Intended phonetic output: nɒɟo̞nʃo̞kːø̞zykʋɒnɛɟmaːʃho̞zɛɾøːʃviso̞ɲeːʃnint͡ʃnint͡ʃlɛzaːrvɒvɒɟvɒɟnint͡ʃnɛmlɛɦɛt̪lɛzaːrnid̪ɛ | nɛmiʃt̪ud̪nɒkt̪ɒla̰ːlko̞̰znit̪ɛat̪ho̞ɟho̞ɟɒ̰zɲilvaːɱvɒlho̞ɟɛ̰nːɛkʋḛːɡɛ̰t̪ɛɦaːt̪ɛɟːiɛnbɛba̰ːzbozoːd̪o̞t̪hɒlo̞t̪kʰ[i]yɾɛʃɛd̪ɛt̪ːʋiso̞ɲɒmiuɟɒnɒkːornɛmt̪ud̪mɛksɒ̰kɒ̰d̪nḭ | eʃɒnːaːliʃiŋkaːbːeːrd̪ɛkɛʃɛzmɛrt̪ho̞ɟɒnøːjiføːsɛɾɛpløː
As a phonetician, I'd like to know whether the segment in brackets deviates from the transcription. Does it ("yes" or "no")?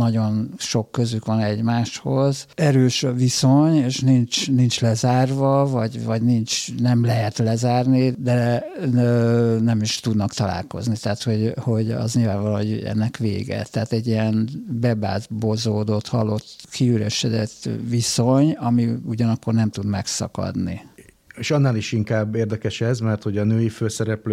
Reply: no